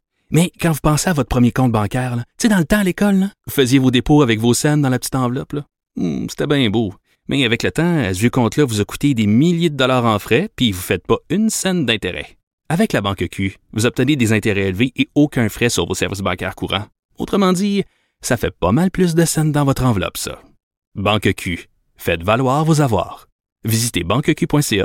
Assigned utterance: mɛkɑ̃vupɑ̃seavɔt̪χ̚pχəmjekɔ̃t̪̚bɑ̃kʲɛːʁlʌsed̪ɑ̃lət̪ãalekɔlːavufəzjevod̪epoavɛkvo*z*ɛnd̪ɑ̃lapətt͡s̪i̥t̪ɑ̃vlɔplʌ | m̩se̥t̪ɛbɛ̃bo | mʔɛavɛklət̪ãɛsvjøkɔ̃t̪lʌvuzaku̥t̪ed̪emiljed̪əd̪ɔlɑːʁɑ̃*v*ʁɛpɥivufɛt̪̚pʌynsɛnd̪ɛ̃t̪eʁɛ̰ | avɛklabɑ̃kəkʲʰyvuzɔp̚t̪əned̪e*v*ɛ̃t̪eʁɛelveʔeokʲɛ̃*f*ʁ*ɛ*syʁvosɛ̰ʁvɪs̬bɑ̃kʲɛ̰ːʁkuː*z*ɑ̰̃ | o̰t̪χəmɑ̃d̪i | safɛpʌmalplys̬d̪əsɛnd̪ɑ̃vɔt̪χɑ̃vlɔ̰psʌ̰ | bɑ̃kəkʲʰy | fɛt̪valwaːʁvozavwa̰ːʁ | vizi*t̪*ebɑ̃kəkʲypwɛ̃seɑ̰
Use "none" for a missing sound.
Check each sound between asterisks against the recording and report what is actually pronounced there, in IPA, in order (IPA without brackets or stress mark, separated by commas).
s, f, z, f, ɛ, ʁ, t̪